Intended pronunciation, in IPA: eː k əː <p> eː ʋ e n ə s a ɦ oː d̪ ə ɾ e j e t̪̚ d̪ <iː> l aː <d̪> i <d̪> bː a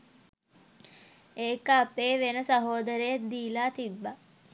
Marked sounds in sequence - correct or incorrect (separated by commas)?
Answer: correct, correct, incorrect, incorrect